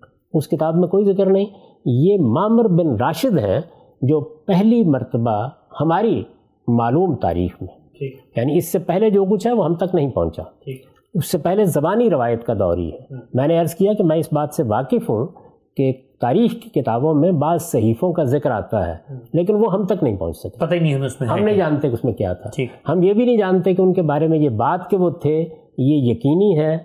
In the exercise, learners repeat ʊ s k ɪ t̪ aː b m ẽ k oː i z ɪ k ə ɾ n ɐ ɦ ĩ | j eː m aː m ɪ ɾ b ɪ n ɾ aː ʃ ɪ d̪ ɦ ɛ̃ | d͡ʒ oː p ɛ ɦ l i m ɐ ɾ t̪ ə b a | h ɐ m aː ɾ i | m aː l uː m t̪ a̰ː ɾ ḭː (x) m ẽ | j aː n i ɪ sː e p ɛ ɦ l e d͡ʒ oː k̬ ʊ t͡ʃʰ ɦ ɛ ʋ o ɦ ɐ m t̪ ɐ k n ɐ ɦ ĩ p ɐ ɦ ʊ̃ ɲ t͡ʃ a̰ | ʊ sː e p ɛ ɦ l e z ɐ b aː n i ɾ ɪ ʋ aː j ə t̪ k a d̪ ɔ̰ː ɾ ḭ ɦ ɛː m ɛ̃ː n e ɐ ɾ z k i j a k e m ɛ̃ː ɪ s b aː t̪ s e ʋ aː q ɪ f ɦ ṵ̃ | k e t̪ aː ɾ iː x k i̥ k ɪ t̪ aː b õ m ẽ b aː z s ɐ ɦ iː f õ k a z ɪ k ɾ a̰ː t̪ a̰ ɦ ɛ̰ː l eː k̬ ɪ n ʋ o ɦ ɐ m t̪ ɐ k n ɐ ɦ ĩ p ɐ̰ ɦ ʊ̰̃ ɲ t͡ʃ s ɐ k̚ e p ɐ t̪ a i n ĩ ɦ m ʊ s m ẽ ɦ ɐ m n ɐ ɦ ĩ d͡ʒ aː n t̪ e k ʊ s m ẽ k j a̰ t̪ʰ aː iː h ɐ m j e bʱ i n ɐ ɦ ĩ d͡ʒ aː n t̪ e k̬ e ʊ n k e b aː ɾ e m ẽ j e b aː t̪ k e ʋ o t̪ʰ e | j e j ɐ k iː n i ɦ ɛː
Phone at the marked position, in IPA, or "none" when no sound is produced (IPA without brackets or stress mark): x